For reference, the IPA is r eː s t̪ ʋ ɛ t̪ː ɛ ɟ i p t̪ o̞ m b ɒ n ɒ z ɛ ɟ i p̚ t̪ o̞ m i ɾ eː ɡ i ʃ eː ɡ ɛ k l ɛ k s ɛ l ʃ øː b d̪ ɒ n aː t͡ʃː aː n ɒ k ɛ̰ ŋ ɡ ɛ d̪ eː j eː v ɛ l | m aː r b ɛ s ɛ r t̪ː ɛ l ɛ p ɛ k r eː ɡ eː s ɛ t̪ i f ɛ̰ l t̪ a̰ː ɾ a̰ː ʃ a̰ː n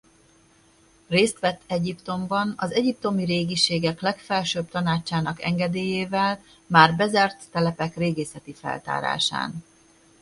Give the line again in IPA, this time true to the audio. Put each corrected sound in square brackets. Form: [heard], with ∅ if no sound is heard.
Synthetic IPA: r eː s t̪ ʋ ɛ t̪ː ɛ ɟ i p t̪ o̞ m b ɒ n ɒ z ɛ ɟ i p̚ t̪ o̞ m i ɾ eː ɡ i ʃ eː ɡ ɛ k l ɛ k [f] ɛ l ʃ øː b [t̪] ɒ n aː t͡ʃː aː n ɒ k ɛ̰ ŋ ɡ ɛ d̪ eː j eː v ɛ l | m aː r b ɛ [z] ɛ r t̪ː ɛ l ɛ p ɛ k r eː ɡ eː s ɛ t̪ i f ɛ̰ l t̪ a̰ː ɾ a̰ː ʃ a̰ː n

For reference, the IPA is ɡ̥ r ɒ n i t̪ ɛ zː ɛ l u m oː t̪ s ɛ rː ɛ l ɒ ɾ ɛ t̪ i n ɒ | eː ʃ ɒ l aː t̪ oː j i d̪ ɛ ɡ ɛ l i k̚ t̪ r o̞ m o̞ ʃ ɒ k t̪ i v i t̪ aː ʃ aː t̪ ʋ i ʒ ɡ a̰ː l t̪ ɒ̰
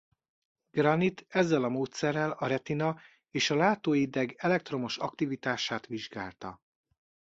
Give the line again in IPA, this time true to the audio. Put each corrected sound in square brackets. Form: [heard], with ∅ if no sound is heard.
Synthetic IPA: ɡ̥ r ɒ n i t̪ ɛ zː ɛ l [ɒ] m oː t̪ s ɛ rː ɛ l ɒ ɾ ɛ t̪ i n ɒ | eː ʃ ɒ l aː t̪ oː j i d̪ ɛ ɡ ɛ l [ɛ] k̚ t̪ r o̞ m o̞ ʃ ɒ k t̪ i v i t̪ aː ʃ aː t̪ ʋ i ʒ ɡ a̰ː l t̪ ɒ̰

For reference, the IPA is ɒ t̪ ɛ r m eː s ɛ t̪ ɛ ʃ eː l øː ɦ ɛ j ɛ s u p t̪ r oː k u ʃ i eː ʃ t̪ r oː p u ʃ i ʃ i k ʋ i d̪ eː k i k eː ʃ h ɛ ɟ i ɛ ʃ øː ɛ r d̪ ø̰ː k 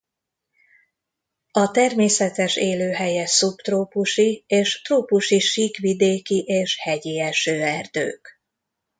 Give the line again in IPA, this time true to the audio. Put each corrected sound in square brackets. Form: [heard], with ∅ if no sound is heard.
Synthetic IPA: ɒ t̪ ɛ r m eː s ɛ t̪ ɛ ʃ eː l øː ɦ ɛ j ɛ s u p t̪ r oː [p] u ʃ i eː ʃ t̪ r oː p u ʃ i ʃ i k ʋ i d̪ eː k i [ʔ] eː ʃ h ɛ ɟ i ɛ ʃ øː ɛ r d̪ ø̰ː k

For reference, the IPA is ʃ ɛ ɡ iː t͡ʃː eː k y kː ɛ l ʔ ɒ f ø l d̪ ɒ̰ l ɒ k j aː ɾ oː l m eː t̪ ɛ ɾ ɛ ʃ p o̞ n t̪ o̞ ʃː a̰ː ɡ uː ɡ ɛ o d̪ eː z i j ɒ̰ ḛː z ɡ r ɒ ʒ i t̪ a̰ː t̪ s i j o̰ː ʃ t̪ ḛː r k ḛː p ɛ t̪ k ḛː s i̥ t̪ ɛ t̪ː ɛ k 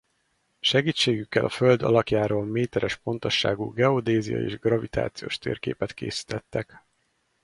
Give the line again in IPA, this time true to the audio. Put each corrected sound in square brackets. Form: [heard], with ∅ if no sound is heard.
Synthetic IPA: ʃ ɛ ɡ iː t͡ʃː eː [ɡ] y kː ɛ l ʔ ɒ f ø l d̪ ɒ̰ l ɒ k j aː ɾ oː l m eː t̪ ɛ ɾ ɛ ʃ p o̞ n t̪ o̞ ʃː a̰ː ɡ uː ɡ ɛ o d̪ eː z i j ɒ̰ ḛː [ʒ] ɡ r ɒ [v] i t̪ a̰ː t̪ s i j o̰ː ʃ t̪ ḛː r k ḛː p ɛ t̪ k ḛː s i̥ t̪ ɛ t̪ː ɛ k

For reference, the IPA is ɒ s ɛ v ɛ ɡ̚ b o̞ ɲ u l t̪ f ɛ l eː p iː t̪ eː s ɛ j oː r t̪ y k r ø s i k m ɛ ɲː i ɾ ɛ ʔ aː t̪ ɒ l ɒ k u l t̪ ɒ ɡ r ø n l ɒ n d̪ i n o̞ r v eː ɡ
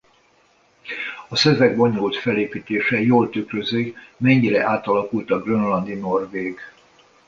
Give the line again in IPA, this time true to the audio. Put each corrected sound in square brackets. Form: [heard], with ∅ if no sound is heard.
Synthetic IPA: ɒ s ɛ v ɛ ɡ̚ b o̞ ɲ u l t̪ f ɛ l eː p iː t̪ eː [ʃ] ɛ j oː [l] t̪ y k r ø [z] i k m ɛ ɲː i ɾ ɛ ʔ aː t̪ ɒ l ɒ k u l t̪ ɒ ɡ r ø n l ɒ n d̪ i n o̞ r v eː ɡ

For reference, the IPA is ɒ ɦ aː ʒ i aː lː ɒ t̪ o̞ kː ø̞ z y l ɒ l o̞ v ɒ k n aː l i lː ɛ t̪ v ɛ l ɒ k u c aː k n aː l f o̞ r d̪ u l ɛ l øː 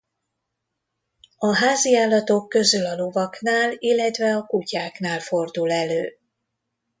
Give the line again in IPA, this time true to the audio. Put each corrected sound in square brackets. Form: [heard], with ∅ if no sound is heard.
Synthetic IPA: ɒ ɦ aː [z] i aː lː ɒ t̪ o̞ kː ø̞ z y l ɒ l o̞ v ɒ k n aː l i lː ɛ t̪ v ɛ [∅] ɒ k u c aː k n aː l f o̞ r d̪ u l ɛ l øː

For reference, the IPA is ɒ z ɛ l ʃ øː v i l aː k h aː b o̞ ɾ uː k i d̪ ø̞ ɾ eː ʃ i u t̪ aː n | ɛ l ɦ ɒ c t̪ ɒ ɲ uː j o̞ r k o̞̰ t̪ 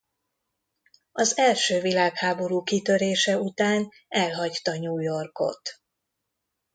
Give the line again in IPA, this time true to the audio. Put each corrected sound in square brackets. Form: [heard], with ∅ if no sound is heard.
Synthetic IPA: ɒ z ɛ l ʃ øː v i l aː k h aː b o̞ ɾ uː k i [t̪] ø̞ ɾ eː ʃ [ɛ] u t̪ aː n | ɛ l ɦ ɒ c t̪ ɒ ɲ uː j o̞ r k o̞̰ t̪

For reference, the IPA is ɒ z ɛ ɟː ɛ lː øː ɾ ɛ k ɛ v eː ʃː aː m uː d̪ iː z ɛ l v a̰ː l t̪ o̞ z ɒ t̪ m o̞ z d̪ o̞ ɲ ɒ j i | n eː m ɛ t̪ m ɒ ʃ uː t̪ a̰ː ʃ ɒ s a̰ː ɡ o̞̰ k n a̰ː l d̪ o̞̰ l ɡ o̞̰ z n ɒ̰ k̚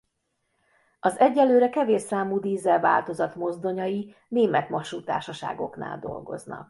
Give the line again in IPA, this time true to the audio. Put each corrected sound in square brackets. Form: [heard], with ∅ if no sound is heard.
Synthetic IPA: ɒ z ɛ ɟː ɛ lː øː ɾ ɛ k ɛ v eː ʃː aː m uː d̪ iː z ɛ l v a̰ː l t̪ o̞ z ɒ t̪ m o̞ z d̪ o̞ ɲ ɒ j i | n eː m ɛ t̪ m ɒ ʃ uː t̪ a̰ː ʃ ɒ [ʃ] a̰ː ɡ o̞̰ k n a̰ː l d̪ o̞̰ l ɡ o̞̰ z n ɒ̰ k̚

